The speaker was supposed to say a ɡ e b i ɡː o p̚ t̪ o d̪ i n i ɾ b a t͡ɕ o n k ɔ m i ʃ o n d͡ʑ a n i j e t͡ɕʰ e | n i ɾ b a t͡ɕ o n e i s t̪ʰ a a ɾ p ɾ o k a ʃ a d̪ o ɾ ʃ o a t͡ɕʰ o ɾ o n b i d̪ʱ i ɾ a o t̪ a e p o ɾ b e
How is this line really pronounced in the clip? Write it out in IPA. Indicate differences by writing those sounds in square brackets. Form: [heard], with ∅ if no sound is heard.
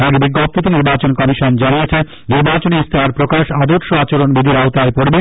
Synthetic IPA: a ɡ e b i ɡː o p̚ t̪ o [t̪] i n i ɾ b a t͡ɕ o n k ɔ m i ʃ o n d͡ʑ a n i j e t͡ɕʰ e | n i ɾ b a t͡ɕ o n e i s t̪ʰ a a ɾ p ɾ o k a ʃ a d̪ o ɾ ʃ o a [t͡ɕ] o ɾ o n b i d̪ʱ i ɾ a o t̪ a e p o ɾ b e